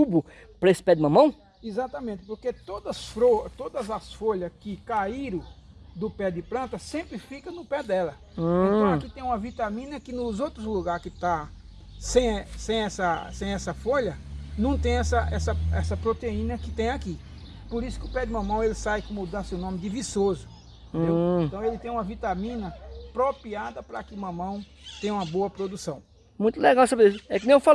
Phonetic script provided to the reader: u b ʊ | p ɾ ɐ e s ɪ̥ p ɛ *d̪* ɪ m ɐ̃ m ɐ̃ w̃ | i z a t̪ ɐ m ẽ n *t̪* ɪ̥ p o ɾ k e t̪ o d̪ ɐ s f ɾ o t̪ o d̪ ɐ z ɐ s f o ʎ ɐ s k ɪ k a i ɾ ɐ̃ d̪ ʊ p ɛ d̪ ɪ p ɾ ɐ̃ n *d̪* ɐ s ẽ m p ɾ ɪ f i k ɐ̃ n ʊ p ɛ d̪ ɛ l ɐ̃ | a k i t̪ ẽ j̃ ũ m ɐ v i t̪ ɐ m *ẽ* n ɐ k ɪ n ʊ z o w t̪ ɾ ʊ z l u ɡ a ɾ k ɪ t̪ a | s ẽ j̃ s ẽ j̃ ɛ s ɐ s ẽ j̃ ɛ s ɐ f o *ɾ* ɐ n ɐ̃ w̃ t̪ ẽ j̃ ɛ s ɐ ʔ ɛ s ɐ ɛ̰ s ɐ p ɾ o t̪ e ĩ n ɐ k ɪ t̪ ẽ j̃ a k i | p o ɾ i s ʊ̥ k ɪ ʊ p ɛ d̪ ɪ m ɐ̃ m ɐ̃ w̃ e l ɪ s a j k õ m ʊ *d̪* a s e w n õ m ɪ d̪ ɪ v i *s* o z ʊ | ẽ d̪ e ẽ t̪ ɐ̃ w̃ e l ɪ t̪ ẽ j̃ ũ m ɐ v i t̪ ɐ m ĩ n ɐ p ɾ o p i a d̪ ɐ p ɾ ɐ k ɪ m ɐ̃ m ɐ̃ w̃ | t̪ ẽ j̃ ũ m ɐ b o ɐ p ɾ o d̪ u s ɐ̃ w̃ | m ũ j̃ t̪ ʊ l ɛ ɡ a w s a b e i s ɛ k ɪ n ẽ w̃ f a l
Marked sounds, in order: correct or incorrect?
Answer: correct, correct, incorrect, incorrect, incorrect, correct, correct

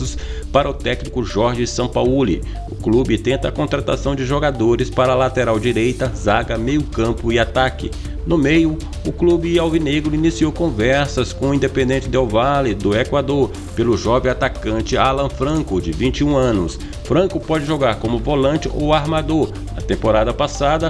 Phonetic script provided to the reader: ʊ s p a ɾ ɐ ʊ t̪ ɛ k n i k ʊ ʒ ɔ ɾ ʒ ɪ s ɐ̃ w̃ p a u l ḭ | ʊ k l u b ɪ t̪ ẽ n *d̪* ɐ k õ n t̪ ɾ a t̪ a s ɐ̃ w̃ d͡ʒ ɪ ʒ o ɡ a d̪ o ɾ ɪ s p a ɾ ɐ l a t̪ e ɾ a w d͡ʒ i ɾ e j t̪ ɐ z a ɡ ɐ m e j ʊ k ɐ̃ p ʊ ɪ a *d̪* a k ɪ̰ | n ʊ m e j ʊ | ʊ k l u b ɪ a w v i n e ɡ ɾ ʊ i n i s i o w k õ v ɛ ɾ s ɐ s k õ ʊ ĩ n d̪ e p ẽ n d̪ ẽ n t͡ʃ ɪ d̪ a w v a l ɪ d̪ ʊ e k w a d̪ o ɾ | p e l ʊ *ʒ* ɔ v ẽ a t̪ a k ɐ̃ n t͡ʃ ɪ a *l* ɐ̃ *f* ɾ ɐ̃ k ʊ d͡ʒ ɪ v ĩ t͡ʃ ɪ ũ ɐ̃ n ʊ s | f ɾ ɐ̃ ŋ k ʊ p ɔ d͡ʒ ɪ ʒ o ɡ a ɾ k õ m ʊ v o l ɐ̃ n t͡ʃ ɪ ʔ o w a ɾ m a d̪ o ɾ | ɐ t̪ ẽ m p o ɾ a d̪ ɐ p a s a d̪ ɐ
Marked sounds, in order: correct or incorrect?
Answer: incorrect, incorrect, correct, correct, correct

